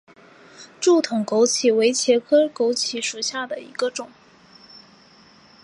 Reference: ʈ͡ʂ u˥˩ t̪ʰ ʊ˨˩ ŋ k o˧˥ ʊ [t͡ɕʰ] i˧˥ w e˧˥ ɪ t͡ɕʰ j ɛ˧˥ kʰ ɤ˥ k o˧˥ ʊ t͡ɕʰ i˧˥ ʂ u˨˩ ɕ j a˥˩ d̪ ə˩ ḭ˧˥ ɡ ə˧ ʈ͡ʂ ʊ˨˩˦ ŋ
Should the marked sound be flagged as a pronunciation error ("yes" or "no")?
no